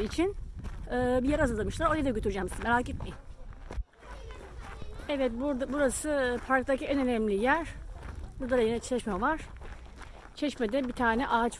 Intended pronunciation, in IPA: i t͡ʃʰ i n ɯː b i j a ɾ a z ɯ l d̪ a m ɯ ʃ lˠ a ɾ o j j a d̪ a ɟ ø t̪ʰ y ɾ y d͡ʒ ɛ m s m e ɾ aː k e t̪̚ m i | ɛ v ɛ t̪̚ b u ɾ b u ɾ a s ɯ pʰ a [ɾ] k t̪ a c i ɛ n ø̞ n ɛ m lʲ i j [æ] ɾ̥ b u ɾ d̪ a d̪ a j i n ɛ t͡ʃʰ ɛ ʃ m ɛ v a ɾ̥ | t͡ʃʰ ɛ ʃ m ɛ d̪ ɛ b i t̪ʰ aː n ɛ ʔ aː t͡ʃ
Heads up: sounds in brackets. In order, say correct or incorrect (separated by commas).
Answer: correct, correct